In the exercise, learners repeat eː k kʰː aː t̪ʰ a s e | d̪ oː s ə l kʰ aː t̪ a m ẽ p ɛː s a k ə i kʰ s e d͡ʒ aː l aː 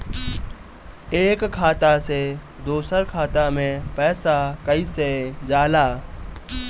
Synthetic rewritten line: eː k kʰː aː t̪ a s e | d̪ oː s ə ɾ kʰ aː t̪ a m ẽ p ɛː s a k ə i s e d͡ʒ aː l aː